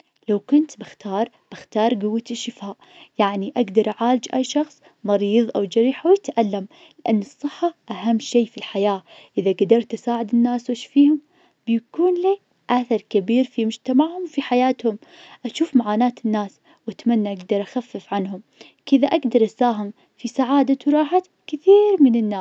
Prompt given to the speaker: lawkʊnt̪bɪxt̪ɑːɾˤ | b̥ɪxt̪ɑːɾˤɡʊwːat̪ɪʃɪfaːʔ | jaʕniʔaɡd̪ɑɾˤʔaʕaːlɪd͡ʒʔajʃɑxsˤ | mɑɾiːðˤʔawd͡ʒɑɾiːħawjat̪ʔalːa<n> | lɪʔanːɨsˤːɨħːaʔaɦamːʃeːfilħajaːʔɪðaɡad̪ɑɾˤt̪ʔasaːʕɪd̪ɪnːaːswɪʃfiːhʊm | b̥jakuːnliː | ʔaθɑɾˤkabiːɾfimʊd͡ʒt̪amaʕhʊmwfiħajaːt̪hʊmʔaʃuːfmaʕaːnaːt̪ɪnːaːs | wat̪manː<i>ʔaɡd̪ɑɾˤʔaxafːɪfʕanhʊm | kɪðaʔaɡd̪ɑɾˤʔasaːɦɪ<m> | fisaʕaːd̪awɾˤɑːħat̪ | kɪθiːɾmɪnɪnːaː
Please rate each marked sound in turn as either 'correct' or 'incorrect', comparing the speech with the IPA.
incorrect: m, incorrect: a, correct

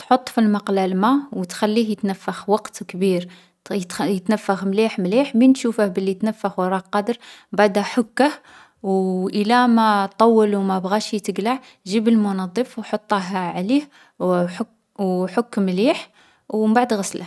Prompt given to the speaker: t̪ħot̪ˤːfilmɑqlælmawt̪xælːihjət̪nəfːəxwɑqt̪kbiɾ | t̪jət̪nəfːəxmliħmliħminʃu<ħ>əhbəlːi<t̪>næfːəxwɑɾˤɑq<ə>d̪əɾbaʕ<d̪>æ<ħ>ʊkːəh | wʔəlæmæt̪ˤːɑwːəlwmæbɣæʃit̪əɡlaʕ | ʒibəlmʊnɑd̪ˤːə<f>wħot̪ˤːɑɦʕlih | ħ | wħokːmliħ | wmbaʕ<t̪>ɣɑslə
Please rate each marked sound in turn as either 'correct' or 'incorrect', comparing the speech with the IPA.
incorrect: f, correct, incorrect: ɑ, correct, correct, correct, incorrect: d̪

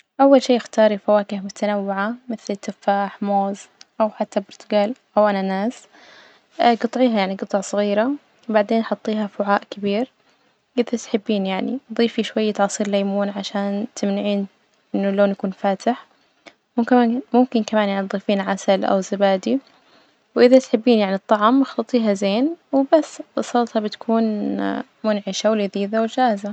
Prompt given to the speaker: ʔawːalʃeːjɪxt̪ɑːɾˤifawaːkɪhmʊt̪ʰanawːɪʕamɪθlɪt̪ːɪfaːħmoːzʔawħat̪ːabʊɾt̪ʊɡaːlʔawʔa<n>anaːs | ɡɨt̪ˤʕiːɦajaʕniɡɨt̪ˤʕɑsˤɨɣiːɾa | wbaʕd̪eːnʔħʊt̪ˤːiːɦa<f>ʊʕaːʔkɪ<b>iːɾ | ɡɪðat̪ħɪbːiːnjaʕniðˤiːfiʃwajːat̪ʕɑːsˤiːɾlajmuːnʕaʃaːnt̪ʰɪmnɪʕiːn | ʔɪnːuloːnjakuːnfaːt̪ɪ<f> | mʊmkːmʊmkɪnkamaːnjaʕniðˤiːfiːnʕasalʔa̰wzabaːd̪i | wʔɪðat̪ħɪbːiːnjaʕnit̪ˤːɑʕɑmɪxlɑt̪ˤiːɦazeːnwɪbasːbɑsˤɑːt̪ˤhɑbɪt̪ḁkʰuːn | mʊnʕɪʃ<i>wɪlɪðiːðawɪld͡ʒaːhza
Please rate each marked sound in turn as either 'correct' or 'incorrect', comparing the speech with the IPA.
correct, correct, correct, incorrect: ħ, incorrect: a

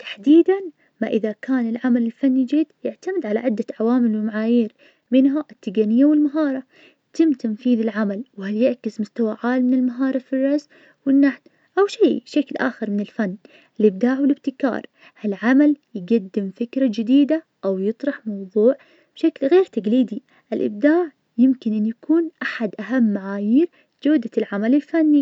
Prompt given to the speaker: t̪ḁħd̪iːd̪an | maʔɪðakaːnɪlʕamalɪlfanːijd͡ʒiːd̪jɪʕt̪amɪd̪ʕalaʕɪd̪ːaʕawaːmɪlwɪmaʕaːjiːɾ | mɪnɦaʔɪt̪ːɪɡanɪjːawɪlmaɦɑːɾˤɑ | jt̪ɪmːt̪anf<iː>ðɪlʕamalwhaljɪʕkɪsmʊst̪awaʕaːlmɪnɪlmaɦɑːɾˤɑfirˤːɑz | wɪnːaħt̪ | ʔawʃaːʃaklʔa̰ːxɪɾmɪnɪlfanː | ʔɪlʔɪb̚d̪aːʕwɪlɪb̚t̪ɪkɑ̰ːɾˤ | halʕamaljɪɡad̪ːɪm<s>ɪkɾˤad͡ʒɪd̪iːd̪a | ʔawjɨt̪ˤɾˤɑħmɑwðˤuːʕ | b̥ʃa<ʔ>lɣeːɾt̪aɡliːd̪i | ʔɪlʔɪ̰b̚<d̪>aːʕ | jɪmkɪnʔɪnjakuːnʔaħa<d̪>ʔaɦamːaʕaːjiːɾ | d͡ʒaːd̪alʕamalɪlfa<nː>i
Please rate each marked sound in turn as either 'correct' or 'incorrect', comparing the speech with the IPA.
correct, incorrect: f, incorrect: k, correct, correct, correct

